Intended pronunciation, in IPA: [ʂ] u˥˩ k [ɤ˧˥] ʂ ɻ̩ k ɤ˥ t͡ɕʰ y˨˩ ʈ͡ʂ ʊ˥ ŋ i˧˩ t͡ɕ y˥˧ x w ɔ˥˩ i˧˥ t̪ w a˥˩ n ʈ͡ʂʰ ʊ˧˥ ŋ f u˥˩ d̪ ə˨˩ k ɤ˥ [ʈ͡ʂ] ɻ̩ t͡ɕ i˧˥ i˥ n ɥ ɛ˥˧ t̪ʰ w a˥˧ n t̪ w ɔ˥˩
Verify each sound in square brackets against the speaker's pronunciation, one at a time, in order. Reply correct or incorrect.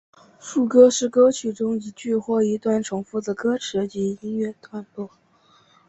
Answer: correct, incorrect, incorrect

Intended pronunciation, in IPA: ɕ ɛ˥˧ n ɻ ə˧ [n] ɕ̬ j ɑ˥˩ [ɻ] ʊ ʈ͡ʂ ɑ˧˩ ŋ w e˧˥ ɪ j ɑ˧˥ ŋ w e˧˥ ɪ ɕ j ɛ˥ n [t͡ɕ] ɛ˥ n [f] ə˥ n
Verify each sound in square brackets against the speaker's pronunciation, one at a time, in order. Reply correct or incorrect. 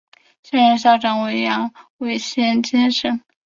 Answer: correct, incorrect, correct, incorrect

